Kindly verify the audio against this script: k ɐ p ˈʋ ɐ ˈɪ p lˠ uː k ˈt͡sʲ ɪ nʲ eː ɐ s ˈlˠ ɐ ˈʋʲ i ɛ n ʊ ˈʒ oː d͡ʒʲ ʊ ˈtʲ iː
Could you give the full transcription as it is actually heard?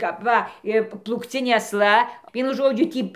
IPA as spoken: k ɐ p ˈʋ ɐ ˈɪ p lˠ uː k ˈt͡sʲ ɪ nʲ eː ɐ s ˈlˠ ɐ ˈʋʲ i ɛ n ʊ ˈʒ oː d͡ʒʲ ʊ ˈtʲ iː